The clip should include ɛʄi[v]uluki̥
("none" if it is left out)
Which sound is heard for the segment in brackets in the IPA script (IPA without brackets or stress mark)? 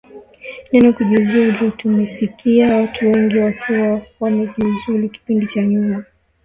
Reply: z